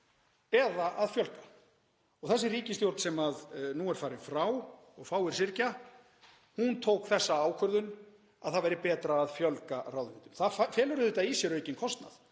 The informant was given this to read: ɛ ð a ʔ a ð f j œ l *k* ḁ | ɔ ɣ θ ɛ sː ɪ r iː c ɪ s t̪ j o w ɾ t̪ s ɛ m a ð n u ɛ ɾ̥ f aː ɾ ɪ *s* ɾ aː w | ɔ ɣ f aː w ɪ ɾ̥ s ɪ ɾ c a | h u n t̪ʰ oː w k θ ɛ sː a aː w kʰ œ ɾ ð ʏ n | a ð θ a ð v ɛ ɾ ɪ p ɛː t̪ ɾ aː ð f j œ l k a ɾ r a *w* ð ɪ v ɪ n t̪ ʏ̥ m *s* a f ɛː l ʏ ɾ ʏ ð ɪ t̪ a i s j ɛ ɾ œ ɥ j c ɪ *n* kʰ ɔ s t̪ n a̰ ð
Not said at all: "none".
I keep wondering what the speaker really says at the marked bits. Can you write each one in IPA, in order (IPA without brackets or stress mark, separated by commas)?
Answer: k, f, w, θ, n